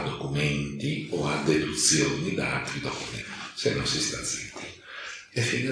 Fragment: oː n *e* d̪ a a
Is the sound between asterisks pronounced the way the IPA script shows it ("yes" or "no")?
no